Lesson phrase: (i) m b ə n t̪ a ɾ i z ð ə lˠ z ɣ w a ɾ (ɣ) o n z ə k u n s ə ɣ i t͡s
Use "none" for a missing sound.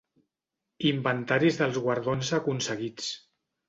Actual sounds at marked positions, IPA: i, ð

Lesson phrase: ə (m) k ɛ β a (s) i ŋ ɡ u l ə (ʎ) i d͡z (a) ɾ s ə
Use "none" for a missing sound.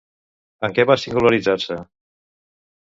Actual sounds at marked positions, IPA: ŋ, s, ɾ, a

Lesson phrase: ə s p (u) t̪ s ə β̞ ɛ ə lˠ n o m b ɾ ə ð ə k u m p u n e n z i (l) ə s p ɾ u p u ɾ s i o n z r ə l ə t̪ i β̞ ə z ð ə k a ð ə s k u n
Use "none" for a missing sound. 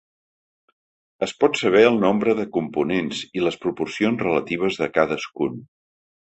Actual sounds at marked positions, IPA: ɔ, l

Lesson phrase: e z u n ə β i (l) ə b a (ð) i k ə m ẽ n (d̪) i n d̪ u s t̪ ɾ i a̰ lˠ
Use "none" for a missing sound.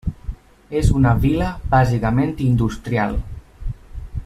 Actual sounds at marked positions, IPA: l, z, t̪

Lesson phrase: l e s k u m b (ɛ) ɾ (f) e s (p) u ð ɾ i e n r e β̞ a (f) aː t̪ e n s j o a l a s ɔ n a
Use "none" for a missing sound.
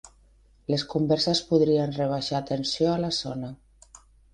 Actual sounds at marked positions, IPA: ɛ, s, p, ʃ

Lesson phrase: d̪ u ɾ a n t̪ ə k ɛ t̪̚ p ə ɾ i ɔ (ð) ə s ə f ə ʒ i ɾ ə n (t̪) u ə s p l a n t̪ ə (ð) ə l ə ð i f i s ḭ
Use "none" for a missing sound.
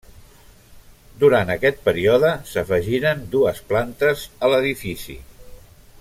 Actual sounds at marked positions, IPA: ð, d̪, z

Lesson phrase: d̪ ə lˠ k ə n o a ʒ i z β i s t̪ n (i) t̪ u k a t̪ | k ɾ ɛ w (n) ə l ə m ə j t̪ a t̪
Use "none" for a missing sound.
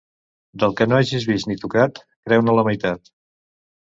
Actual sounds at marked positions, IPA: i, n

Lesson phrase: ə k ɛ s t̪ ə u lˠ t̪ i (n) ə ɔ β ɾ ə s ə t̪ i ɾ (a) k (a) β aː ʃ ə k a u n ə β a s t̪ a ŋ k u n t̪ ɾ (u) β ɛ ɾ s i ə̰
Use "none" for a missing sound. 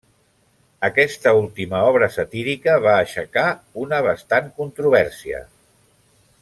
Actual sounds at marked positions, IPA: m, i, ə, u

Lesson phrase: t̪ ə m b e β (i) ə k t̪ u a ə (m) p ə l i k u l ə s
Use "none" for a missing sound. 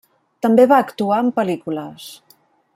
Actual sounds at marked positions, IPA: a, m

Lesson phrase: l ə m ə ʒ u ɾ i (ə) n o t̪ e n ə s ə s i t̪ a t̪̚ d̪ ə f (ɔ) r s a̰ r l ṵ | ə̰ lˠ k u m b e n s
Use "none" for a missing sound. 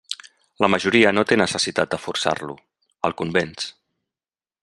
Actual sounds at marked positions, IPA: ə, u

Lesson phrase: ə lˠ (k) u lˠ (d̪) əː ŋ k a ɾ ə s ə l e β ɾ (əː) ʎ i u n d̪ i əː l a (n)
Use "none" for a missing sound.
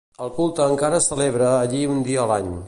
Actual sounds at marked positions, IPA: k, t̪, əː, ɲ

